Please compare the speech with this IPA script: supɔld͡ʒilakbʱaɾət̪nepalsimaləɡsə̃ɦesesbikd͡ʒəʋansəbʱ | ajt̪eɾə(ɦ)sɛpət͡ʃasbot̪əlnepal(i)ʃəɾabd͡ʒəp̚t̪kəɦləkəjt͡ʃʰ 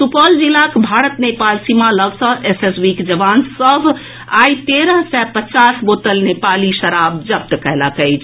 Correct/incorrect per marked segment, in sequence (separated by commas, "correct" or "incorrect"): correct, correct